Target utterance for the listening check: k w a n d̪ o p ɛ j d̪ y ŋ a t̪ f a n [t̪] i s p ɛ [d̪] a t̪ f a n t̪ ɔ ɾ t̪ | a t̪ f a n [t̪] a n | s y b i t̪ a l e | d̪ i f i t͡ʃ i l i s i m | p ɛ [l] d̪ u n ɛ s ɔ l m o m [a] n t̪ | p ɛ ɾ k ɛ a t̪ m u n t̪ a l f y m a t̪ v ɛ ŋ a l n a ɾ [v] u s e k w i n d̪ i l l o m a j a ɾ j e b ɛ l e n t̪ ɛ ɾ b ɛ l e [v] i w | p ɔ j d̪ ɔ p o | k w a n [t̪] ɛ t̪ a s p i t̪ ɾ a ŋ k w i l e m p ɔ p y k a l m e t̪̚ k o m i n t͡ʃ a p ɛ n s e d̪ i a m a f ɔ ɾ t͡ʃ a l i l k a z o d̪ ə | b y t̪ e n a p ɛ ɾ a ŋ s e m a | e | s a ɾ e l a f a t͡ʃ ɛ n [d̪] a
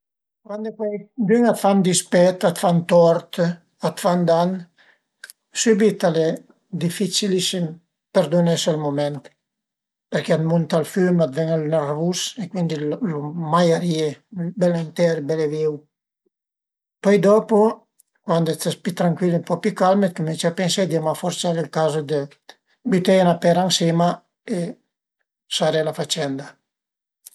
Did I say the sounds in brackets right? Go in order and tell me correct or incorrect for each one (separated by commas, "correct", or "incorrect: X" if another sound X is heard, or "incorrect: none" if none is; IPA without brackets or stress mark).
incorrect: d̪, incorrect: t̪, incorrect: d̪, incorrect: ɾ, incorrect: ɛ, correct, correct, incorrect: d̪, correct